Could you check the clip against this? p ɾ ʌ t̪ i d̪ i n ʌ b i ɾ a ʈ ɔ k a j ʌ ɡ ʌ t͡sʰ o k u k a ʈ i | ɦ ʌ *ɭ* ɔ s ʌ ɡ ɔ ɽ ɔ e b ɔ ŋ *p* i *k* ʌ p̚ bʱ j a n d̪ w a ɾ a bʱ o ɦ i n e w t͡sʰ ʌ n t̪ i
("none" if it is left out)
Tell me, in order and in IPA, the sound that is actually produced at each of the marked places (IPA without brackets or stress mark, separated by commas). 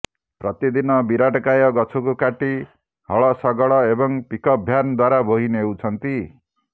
ɭ, p, k